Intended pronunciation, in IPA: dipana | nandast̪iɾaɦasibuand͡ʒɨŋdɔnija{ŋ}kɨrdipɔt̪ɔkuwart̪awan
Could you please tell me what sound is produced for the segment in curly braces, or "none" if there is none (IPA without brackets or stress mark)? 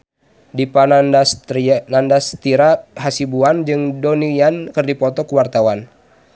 n